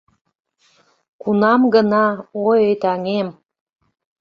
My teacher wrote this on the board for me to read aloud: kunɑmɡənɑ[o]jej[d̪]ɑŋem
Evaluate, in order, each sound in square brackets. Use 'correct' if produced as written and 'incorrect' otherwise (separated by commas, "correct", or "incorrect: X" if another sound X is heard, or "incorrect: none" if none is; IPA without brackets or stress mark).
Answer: correct, incorrect: t̪